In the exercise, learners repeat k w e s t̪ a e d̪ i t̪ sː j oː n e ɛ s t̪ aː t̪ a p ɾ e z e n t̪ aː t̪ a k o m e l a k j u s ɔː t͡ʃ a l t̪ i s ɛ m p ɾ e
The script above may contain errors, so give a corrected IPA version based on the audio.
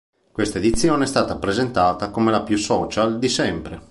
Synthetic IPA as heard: k w e s t̪ a e d̪ i t̪ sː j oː n e ɛ s t̪ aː t̪ a p ɾ e z e n t̪ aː t̪ a k o m e l a p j u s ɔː t͡ʃ a l d̪ i s ɛ m p ɾ e